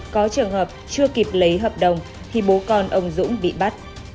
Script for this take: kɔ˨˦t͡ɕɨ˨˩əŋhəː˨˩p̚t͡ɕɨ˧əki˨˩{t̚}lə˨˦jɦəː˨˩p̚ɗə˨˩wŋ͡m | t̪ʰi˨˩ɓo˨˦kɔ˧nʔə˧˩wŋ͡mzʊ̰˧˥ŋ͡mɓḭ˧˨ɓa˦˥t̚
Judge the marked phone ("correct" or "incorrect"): incorrect